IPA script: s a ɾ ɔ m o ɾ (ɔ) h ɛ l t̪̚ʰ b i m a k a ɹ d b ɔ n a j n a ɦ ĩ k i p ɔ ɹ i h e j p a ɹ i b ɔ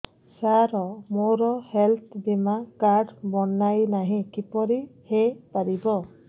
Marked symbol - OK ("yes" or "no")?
yes